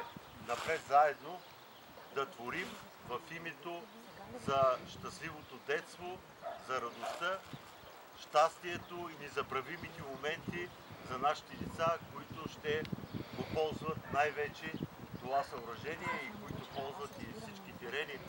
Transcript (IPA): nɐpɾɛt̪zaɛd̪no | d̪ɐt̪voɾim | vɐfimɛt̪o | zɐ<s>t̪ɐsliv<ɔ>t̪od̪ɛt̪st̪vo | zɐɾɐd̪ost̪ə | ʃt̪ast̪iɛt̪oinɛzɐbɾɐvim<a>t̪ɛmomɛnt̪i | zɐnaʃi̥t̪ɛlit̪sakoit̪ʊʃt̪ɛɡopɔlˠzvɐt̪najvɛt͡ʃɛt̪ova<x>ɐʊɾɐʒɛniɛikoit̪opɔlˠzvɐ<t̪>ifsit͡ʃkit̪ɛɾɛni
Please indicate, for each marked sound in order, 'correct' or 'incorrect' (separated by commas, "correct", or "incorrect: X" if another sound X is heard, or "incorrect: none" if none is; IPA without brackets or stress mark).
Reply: incorrect: ʃ, incorrect: o, incorrect: i, incorrect: s, correct